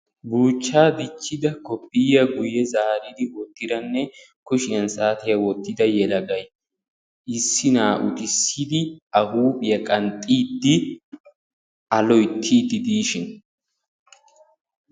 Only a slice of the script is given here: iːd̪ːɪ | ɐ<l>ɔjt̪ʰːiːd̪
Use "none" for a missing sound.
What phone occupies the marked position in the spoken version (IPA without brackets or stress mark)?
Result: l